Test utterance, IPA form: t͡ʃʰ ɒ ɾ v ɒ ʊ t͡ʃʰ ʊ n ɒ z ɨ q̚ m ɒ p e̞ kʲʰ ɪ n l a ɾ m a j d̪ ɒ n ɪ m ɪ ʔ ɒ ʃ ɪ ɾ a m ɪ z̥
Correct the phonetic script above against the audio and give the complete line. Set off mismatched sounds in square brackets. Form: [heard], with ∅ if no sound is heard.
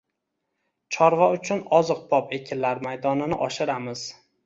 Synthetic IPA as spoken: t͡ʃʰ ɒ ɾ v ɒ ʊ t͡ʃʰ ʊ n ɒ z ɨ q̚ [b] ɒ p e̞ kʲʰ ɪ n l a ɾ m a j d̪ ɒ n ɪ [n] ɪ ʔ ɒ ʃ ɪ ɾ a m ɪ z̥